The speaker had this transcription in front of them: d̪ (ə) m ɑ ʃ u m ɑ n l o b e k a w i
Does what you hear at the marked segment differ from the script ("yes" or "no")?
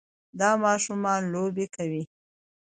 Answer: yes